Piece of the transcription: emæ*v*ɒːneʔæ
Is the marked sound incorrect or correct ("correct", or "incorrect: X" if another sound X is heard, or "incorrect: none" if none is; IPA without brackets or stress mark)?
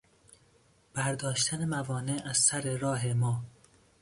correct